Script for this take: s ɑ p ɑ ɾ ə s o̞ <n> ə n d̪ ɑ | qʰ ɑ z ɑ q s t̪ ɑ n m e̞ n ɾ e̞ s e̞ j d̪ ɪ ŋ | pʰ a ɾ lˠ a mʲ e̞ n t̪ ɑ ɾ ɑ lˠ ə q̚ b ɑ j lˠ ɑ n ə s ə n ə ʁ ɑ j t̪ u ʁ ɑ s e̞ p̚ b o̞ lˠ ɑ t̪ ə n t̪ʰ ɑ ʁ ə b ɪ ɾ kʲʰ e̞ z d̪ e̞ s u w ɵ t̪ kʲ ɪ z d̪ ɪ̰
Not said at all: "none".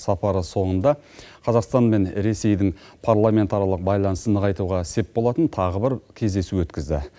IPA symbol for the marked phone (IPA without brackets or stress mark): ɴ